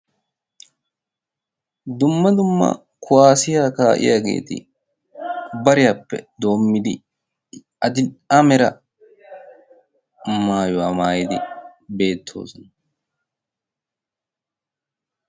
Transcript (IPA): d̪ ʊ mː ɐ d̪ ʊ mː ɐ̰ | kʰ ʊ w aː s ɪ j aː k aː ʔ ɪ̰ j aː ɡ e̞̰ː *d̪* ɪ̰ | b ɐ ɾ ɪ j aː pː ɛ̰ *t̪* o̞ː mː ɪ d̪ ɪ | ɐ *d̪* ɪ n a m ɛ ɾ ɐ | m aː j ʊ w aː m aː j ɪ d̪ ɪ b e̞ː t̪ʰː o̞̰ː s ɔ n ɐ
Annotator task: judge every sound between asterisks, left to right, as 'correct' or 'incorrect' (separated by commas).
incorrect, incorrect, correct